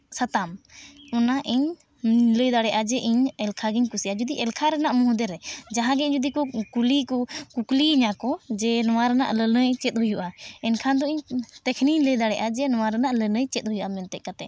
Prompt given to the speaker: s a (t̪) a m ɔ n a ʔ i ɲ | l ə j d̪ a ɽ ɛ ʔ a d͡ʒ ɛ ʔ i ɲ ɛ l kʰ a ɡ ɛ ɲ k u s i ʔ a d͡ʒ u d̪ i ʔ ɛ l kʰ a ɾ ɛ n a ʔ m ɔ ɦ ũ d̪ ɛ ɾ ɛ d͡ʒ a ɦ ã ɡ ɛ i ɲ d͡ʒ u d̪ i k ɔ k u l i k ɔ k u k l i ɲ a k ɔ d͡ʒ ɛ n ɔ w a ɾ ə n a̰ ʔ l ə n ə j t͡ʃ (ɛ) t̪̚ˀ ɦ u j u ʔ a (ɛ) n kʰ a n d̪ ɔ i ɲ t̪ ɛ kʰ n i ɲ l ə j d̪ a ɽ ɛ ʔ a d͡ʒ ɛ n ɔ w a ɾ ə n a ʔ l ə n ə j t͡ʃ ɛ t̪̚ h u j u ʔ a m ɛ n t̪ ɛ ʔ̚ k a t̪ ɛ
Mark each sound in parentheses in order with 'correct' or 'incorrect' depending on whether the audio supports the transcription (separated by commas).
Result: correct, correct, correct